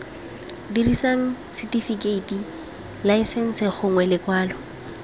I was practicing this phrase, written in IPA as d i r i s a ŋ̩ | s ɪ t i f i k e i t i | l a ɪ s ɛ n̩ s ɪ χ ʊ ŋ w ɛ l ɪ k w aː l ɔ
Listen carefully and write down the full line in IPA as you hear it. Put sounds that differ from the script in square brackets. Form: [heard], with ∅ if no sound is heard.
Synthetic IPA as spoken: d i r i s a ŋ̩ | s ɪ t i f i k e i t i | l a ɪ s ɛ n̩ s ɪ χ ʊ ŋ w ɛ l ɪ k w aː l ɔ